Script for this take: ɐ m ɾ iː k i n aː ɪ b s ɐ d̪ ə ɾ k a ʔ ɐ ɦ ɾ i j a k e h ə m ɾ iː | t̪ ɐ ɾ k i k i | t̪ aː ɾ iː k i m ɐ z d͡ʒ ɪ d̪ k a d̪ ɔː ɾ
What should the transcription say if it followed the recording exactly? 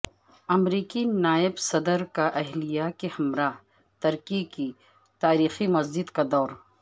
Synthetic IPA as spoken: ɐ m ɾ iː k i n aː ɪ b s ɐ d̪ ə ɾ k a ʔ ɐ ɦ l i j a k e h ɐ m ɾ aː | t̪ ɐ ɾ k i k i | t̪ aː ɾ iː x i m ɐ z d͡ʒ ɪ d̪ k a d̪ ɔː ɾ

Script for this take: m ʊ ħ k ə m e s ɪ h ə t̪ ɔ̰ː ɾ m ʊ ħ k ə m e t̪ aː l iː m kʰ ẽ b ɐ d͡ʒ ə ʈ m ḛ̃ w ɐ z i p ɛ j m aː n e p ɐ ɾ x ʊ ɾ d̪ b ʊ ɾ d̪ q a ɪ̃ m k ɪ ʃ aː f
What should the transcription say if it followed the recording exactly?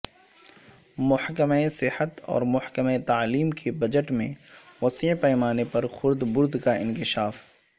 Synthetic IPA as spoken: m ʊ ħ k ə m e s ɪ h ə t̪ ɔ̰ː ɾ m ʊ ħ k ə m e t̪ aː l iː m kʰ e b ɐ d͡ʒ ə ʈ m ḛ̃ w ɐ s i p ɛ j m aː n e p ɐ ɾ x ʊ ɾ d̪ b ʊ ɾ d̪ k a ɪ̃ n k ɪ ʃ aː f

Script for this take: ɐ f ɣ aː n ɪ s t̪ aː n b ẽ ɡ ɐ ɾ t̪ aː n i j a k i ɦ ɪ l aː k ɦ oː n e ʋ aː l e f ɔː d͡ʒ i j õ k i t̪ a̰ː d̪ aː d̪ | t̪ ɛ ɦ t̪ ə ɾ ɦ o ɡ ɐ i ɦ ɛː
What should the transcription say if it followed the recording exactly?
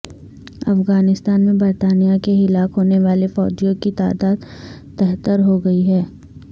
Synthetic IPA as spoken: ɐ f ɣ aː n ɪ s t̪ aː n m ẽ b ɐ ɾ t̪ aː n i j a k e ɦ ɪ l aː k ɦ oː n e ʋ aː l e f ɔː d͡ʒ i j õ k i t̪ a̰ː d̪ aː d̪ | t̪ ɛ ɦ t̪ ə ɾ ɦ o ɡ ɐ i ɦ ɛː

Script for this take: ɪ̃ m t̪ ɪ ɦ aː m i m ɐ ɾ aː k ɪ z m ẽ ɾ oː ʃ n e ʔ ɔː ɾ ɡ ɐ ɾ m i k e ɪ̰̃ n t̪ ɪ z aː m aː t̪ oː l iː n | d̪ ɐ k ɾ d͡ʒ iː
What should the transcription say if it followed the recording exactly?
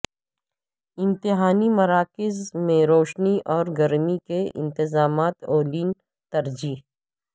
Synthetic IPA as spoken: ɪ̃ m t̪ ɪ ɦ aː n i m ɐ ɾ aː k ɪ z m ẽ ɾ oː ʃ n i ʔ ɔː ɾ ɡ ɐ ɾ m i k e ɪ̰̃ n t̪ ɪ z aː m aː t̪ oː l iː n | t̪ ɐ ɾ d͡ʒ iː

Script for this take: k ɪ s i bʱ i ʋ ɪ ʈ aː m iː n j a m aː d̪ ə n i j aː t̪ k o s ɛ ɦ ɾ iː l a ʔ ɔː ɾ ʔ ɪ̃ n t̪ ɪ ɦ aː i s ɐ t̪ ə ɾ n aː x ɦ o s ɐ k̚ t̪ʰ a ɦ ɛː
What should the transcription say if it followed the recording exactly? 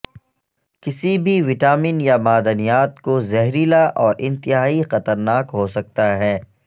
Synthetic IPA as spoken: k ɪ s i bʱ i ʋ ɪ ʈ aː m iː n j a m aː d̪ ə n i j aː t̪ k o z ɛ ɦ ɾ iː l a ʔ ɔː ɾ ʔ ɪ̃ n t̪ ɪ ɦ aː i x ɐ t̪ ə ɾ n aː k ɦ o s ɐ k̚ t̪ a ɦ ɛː

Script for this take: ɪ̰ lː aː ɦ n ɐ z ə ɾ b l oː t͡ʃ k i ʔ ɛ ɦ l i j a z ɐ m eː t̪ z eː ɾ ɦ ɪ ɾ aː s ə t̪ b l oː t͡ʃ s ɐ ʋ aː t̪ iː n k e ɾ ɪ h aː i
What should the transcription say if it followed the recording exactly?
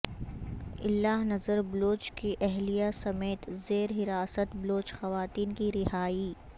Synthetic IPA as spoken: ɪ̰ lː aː ɦ n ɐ z ə ɾ b l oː t͡ʃ k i ʔ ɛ ɦ l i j a s ɐ m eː t̪ z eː ɾ ɦ ɪ ɾ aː s ə t̪ b l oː t͡ʃ x ɐ ʋ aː t̪ iː n k i ɾ ɪ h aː i

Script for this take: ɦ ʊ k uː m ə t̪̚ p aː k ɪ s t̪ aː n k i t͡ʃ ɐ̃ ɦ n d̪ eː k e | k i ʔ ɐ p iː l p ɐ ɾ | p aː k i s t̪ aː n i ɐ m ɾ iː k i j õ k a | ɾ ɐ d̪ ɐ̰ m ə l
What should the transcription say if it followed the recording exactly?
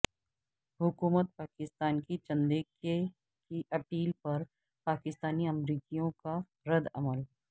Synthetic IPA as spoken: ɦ ʊ k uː m ə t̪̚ p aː k ɪ s t̪ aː n k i t͡ʃ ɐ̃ n d̪ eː k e | k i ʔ ɐ p iː l p ɐ ɾ | p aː k ɪ s t̪ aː n i ɐ m ɾ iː k i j õ k a | ɾ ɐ d̪ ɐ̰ m ə l

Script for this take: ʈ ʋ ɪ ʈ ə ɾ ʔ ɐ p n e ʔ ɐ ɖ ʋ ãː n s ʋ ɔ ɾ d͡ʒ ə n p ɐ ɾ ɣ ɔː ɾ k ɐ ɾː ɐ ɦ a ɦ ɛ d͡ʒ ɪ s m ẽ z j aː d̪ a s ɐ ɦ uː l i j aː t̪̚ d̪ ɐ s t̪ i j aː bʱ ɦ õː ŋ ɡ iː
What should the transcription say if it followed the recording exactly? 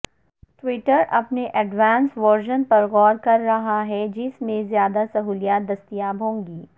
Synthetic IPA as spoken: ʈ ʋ ɪ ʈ ə ɾ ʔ ɐ p n e ʔ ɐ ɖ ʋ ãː n s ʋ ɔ ɾ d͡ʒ ə n p ɐ ɾ ɣ ɔː ɾ k ɐ ɾː ɐ ɦ a ɦ ɛ d͡ʒ ɪ s m ẽ z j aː d̪ a s ɐ ɦ uː l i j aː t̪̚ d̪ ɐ s t̪ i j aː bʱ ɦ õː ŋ ɡ iː

